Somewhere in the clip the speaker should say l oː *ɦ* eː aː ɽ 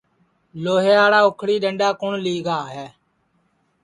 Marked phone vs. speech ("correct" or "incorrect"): correct